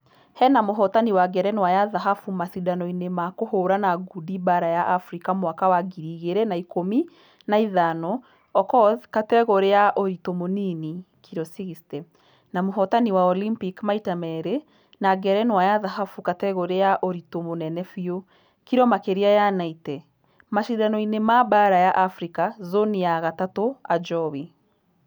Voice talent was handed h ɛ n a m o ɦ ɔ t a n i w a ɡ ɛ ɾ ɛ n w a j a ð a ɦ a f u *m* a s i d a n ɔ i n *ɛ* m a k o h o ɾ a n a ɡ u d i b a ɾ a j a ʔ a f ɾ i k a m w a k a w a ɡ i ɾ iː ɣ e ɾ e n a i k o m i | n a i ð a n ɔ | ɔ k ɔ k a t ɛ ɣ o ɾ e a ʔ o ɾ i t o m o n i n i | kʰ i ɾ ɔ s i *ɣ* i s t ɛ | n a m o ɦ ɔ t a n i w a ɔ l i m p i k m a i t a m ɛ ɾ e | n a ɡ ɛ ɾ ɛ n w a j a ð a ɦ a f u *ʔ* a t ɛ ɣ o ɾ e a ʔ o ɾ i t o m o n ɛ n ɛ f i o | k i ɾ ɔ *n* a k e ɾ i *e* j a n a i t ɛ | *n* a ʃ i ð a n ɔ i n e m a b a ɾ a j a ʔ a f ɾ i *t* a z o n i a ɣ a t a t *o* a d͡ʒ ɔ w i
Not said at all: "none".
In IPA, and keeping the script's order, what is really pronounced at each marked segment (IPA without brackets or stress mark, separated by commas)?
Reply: m, e, ɣ, k, m, a, m, k, o